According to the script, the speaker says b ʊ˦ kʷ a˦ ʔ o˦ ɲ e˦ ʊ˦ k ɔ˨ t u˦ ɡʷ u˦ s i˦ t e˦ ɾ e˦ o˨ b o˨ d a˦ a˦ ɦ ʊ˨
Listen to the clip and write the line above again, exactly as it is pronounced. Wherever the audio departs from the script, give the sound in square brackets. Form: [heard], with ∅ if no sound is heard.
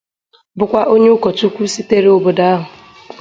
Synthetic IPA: b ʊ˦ kʷ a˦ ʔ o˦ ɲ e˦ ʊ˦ k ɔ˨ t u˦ [kʷ] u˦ s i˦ t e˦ ɾ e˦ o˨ b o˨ d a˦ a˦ ɦ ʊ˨